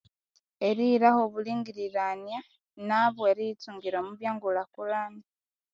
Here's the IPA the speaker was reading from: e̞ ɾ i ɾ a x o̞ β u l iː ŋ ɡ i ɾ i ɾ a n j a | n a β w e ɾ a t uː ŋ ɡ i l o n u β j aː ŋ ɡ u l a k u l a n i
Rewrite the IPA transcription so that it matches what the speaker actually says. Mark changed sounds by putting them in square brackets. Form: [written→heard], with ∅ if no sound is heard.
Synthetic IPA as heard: e̞ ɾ i ɾ a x o̞ β u l iː ŋ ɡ i ɾ i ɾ a n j a | n a β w e ɾ [a→i] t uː ŋ ɡ i [l→ɾ] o [n→m] u β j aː ŋ ɡ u l a k u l a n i